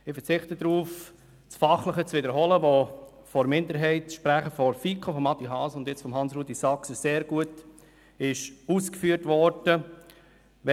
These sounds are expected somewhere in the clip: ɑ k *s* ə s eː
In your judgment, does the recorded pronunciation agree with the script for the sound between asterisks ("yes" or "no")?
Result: yes